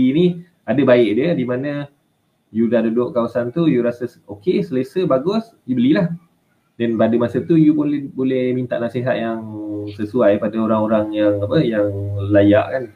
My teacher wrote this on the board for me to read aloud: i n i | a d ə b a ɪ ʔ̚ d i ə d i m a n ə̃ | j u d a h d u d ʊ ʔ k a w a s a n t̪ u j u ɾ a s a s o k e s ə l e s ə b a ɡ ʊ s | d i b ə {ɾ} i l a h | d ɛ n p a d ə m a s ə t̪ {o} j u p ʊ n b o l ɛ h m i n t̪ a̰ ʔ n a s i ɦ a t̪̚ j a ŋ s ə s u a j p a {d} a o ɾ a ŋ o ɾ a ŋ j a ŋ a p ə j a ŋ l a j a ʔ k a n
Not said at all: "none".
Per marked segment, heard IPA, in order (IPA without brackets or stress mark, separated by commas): l, u, d